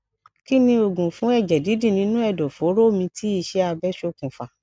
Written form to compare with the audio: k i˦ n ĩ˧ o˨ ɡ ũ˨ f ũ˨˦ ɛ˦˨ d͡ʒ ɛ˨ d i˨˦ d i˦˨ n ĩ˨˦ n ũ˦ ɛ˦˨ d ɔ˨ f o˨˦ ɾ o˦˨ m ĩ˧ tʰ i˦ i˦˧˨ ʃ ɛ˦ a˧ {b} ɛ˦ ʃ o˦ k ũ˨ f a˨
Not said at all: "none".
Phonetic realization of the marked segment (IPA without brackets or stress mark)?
b